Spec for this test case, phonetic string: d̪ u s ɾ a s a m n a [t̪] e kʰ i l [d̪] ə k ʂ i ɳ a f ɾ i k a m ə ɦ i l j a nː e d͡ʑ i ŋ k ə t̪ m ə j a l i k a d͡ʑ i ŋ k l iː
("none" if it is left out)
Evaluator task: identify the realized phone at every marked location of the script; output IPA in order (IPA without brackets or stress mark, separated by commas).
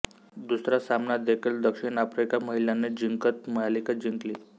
d̪, d̪